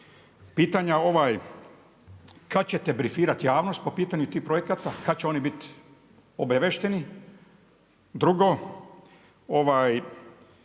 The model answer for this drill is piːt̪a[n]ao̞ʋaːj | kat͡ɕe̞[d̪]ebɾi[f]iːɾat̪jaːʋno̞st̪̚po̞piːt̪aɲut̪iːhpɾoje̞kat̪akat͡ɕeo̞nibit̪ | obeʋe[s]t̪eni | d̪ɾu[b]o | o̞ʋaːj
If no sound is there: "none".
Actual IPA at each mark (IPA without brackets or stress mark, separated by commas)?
ɲ, t̪, f, ʃ, ɡ